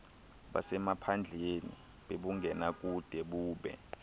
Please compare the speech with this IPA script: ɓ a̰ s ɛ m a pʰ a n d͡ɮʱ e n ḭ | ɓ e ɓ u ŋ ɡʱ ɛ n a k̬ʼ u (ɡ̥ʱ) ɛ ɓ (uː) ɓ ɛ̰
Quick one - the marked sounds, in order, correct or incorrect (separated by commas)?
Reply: incorrect, correct